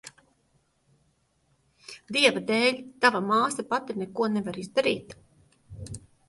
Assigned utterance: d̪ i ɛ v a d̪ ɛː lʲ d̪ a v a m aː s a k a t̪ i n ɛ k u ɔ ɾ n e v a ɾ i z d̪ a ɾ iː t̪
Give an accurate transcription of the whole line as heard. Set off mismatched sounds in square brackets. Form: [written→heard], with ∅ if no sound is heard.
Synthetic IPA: d̪ i ɛ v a d̪ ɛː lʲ [d̪→t̪] a v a m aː s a [k→p] a t̪ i n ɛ k u ɔ [ɾ→∅] n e v a ɾ i z d̪ a ɾ iː t̪